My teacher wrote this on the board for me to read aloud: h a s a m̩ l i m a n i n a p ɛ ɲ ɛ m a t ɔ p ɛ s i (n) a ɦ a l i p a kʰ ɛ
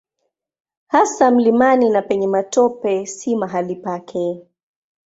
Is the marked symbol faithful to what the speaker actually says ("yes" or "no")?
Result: no